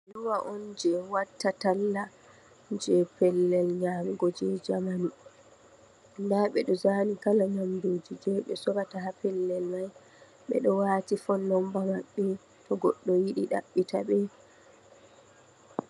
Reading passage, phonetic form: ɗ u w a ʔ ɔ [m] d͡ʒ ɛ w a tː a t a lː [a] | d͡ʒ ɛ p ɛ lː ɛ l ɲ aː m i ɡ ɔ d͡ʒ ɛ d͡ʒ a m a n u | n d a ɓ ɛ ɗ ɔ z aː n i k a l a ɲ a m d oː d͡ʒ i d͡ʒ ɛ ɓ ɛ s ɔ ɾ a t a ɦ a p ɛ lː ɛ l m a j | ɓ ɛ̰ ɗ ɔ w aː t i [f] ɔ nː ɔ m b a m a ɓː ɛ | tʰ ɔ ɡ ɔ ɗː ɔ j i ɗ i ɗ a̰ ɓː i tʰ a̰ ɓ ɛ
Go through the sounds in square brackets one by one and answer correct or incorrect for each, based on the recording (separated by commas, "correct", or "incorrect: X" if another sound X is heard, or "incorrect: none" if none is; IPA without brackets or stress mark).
incorrect: n, correct, correct